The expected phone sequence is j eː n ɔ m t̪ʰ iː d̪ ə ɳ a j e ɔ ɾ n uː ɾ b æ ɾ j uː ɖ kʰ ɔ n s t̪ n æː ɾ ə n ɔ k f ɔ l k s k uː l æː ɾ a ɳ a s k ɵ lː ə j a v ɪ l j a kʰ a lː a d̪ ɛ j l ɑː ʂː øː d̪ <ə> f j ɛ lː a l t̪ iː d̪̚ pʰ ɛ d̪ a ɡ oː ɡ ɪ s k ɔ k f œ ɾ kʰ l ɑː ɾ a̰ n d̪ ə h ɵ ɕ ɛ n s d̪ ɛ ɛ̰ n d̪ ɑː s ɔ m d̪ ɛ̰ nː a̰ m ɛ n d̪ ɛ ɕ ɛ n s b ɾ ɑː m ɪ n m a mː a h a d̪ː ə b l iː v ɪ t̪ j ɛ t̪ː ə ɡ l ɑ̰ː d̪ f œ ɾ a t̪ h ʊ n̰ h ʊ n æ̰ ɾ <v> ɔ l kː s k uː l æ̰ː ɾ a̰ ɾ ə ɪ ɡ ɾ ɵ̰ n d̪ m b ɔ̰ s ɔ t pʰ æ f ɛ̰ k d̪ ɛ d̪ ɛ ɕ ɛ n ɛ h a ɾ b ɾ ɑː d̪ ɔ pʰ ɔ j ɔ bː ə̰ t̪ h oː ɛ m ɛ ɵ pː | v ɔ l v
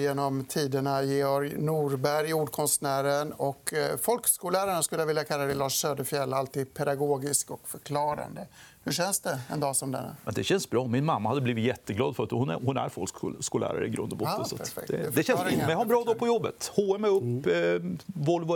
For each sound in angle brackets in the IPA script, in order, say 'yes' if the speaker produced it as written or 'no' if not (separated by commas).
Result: yes, no